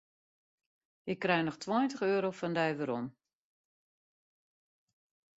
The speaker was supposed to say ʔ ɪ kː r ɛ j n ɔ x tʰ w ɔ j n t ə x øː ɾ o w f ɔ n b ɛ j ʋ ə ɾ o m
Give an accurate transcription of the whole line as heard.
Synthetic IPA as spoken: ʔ ɪ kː r ɛ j n ɔ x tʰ w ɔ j n t ə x øː ɾ o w f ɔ n d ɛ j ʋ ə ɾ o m